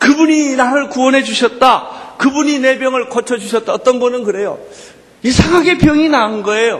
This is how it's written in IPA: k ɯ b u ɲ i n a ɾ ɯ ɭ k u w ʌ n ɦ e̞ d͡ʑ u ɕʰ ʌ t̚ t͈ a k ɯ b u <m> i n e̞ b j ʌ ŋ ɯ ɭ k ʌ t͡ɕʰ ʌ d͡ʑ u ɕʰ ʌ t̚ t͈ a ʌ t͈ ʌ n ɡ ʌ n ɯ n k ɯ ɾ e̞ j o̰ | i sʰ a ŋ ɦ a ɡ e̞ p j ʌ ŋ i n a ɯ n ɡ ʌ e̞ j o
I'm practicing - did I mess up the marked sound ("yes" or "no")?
yes